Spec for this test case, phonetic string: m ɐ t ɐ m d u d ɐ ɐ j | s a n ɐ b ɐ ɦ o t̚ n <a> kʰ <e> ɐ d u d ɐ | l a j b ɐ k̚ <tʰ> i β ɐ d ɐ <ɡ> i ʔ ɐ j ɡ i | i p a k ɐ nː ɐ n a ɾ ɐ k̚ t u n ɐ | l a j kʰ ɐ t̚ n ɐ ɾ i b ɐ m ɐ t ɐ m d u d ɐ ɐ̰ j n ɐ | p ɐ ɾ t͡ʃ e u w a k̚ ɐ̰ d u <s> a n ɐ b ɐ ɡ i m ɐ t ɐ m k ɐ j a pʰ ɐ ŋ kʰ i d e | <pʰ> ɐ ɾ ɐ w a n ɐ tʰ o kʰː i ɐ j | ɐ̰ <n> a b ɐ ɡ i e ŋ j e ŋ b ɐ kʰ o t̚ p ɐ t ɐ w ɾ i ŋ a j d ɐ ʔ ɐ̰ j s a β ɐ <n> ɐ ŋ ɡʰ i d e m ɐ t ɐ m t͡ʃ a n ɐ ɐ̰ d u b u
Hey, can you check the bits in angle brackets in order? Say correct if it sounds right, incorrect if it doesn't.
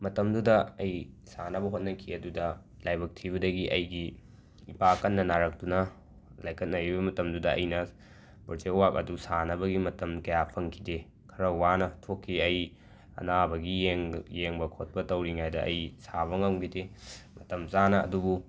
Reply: incorrect: ɐ, incorrect: i, correct, correct, correct, incorrect: kʰ, correct, incorrect: ŋ

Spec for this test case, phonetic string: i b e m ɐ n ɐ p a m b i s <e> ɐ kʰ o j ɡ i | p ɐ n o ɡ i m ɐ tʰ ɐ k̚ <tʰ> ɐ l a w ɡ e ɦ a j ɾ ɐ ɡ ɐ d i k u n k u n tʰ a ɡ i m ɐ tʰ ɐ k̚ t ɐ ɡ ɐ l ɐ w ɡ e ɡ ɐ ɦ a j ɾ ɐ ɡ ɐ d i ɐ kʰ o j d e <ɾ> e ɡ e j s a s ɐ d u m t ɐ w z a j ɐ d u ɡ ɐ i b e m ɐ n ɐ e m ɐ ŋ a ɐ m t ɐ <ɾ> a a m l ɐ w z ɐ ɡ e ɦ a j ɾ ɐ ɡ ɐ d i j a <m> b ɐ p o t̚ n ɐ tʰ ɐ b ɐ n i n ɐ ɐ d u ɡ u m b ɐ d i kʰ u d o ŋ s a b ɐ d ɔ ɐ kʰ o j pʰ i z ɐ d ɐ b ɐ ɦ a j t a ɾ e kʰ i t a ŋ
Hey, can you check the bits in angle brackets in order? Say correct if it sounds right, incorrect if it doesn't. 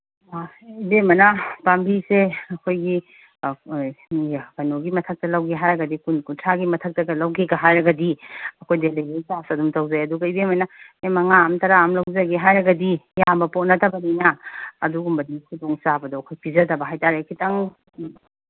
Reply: correct, incorrect: t, incorrect: l, correct, correct

